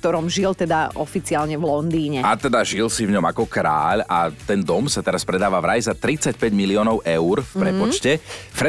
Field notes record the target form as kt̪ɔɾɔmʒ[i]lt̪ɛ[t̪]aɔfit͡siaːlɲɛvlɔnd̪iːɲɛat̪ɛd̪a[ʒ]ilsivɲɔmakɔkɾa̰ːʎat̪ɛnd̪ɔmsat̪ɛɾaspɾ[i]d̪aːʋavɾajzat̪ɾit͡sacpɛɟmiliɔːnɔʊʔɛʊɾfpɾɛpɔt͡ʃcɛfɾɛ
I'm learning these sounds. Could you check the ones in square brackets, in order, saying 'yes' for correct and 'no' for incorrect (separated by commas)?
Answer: yes, no, yes, no